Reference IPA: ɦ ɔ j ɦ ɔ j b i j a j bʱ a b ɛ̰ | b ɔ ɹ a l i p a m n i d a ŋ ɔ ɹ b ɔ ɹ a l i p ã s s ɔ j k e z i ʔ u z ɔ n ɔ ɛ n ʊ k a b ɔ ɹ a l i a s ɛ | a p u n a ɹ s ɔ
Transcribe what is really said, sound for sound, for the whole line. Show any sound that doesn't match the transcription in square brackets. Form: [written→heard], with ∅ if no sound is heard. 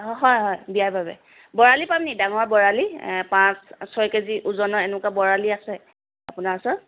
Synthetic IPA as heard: ɦ ɔ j ɦ ɔ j b i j a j bʱ a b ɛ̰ | b ɔ ɹ a l i p a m n i d a ŋ ɔ ɹ b ɔ ɹ a l i p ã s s ɔ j k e z i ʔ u z ɔ n ɔ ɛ n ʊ k a b ɔ ɹ a l i a s ɛ | a p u n a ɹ s ɔ